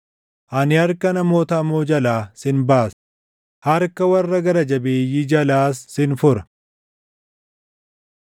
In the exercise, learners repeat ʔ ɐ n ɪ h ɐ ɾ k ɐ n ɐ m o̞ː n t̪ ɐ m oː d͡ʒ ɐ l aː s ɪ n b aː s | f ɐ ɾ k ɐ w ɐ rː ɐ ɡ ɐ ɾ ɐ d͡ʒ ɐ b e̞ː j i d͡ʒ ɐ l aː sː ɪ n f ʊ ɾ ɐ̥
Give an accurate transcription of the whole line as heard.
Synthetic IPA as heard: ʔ ɐ n ɪ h ɐ ɾ k ɐ n ɐ m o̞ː t̪ ɐ m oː d͡ʒ ɐ l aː s ɪ n b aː s | h ɐ ɾ k ɐ w ɐ rː ɐ ɡ ɐ ɾ ɐ d͡ʒ ɐ b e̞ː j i d͡ʒ ɐ l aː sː ɪ n f ʊ ɾ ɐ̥